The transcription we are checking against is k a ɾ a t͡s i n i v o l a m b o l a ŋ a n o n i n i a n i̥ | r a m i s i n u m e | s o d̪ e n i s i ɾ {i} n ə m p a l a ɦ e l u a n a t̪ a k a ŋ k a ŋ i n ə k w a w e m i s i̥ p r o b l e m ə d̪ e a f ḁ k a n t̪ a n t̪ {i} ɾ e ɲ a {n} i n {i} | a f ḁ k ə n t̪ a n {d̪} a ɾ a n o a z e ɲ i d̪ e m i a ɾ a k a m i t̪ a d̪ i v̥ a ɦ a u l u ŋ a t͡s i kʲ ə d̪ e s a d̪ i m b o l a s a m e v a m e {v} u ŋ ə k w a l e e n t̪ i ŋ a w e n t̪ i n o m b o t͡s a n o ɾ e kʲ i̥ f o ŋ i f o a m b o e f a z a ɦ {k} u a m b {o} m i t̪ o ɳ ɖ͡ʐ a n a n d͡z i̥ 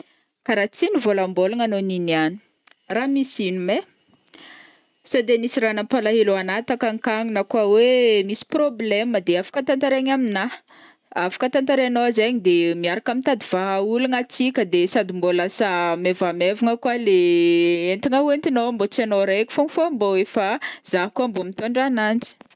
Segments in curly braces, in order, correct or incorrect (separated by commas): incorrect, incorrect, incorrect, incorrect, incorrect, correct, correct, correct